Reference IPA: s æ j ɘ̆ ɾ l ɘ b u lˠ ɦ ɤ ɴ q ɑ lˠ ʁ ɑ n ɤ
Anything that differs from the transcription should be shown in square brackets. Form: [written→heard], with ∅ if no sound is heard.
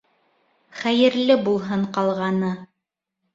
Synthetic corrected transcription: [s→χ] æ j ɘ̆ ɾ l ɘ b u lˠ ɦ ɤ ɴ q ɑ lˠ ʁ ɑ n ɤ